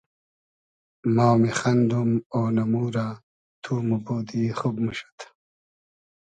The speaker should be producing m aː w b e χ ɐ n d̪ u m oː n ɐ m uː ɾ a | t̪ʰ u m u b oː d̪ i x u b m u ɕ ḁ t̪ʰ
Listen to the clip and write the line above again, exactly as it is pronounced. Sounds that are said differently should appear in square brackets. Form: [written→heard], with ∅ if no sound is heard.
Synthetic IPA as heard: m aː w [b→m] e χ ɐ n d̪ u m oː n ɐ m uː ɾ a | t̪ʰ u m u b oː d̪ i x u b m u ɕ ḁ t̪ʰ